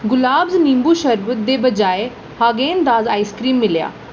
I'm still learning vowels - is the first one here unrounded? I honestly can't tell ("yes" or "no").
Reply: no